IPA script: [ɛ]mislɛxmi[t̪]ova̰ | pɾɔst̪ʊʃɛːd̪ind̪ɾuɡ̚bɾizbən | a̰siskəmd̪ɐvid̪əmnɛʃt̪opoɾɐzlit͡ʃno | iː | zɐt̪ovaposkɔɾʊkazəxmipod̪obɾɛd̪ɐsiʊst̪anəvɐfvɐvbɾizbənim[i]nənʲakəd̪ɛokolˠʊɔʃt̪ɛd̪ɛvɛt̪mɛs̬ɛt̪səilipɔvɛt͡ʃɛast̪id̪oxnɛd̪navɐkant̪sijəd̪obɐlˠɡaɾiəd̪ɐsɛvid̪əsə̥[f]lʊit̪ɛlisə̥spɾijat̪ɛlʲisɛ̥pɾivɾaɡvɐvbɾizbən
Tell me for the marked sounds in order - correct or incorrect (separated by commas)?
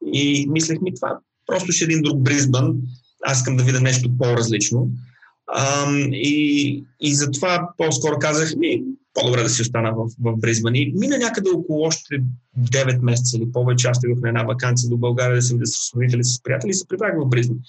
incorrect, correct, correct, incorrect